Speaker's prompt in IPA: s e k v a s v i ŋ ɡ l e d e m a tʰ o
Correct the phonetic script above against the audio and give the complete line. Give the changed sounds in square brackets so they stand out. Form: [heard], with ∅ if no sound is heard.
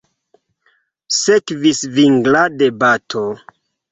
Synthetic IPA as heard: s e k v [i] s v i ŋ ɡ l [a] d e [b] a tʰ o